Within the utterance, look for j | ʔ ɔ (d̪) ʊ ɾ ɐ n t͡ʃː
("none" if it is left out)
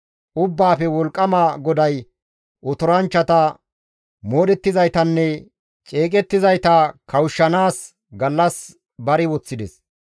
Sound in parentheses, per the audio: t̪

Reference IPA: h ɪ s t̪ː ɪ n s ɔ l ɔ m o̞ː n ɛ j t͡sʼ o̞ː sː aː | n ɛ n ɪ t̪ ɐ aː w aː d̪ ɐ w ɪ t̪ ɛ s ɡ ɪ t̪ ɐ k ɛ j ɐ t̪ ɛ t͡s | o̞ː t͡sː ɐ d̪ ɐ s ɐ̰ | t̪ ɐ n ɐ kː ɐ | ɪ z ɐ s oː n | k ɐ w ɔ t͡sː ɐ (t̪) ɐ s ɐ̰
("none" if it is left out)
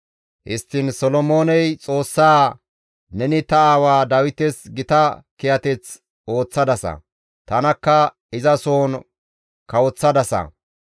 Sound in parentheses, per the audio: d̪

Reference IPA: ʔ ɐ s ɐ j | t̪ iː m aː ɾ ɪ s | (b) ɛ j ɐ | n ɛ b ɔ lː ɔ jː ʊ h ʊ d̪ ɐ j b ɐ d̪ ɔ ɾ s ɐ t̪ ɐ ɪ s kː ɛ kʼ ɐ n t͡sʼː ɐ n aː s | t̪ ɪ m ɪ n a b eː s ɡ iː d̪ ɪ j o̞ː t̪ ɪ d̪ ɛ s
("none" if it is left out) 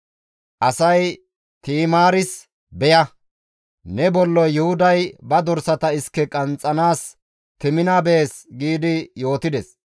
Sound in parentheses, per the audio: b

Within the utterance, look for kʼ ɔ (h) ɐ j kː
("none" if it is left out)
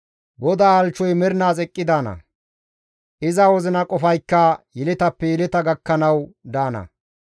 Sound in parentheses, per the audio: f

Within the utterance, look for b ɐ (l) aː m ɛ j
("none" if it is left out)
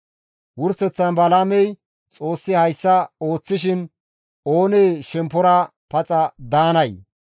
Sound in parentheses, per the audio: l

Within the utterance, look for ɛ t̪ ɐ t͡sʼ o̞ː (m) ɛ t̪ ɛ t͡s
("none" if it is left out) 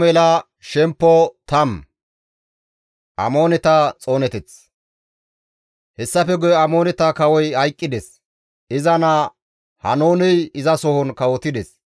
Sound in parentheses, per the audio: n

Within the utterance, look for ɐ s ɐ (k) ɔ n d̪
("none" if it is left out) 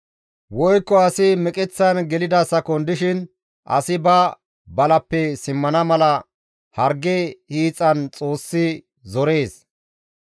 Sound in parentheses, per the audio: k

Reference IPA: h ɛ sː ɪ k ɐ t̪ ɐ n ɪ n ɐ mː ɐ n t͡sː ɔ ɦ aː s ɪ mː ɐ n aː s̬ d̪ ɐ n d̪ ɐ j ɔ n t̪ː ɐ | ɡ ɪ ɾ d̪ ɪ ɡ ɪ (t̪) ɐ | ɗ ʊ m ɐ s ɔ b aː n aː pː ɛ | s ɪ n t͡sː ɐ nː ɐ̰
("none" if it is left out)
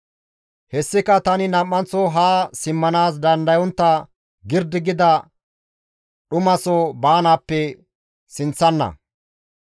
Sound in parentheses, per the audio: d̪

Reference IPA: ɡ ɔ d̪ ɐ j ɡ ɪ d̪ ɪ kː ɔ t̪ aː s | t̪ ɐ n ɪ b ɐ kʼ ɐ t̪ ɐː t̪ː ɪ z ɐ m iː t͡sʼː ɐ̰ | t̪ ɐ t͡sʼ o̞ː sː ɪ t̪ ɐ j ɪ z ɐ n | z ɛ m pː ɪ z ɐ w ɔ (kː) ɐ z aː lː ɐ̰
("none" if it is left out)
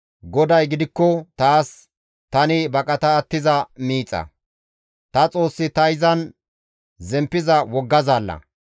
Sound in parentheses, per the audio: ɡː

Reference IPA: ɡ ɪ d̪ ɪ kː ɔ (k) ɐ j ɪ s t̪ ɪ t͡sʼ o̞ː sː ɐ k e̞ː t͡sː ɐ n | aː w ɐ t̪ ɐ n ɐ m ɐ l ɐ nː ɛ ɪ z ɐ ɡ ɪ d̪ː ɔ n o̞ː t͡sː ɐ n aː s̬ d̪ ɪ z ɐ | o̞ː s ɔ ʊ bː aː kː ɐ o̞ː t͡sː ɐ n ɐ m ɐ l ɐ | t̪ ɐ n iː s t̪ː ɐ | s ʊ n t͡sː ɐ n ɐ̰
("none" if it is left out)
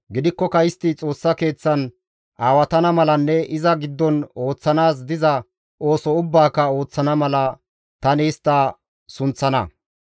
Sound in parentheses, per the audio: k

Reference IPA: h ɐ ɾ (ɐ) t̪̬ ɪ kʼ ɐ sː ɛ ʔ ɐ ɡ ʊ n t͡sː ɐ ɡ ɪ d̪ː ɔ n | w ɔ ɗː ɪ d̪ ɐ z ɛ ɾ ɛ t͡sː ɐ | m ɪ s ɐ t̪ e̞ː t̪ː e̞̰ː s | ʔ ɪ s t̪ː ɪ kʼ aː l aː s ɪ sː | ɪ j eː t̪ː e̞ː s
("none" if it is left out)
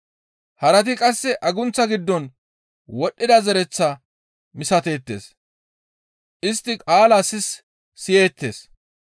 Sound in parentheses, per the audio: ɐ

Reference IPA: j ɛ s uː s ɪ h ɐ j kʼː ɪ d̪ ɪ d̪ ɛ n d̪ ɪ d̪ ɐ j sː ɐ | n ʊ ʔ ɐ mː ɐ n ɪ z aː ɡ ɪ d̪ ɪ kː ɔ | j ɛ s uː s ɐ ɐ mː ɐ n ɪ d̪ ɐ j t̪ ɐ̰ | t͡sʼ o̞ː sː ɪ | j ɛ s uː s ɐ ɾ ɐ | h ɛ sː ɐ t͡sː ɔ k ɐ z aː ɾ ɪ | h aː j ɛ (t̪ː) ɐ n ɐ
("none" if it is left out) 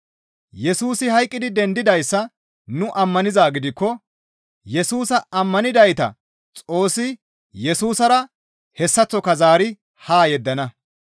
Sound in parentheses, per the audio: d̪ː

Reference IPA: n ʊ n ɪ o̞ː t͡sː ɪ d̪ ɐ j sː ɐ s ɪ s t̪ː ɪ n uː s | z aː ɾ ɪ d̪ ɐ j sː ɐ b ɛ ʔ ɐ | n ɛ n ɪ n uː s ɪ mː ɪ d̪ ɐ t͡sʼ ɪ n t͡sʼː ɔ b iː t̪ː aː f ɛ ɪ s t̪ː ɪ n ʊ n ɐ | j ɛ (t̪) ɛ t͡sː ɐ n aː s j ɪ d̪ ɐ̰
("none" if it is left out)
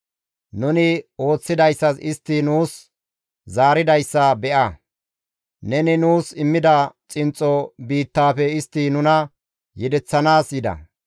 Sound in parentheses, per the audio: d̪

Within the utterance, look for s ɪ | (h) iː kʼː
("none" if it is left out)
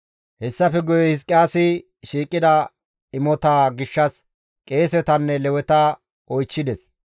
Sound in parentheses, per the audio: ʃ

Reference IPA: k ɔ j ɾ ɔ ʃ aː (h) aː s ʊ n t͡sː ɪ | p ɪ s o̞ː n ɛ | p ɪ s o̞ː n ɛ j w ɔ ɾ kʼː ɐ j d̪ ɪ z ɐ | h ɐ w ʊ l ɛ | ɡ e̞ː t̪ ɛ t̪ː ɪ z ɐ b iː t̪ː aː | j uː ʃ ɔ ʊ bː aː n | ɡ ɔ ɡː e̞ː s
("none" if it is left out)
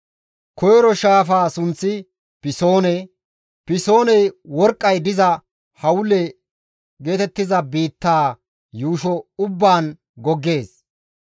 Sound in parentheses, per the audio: f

